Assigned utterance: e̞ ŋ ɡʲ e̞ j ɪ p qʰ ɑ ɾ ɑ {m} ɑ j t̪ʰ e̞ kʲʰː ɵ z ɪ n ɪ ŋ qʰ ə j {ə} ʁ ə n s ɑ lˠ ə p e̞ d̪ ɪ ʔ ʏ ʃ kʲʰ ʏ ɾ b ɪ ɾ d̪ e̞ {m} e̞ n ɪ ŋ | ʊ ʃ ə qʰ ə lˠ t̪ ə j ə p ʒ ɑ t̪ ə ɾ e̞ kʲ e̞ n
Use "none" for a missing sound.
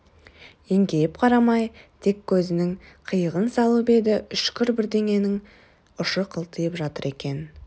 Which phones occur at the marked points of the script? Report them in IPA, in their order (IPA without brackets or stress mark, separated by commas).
m, ə, ŋ